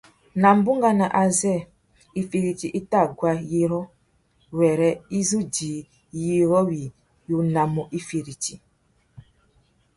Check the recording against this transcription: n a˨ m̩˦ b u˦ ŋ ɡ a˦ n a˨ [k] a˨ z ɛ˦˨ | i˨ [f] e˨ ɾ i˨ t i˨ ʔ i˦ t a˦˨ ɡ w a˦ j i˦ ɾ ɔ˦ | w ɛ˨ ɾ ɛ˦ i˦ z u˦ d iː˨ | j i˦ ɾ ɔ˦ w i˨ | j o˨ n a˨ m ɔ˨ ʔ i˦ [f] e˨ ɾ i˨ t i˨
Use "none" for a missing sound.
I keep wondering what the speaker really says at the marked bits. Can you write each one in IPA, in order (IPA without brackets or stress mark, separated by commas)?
ʔ, f, f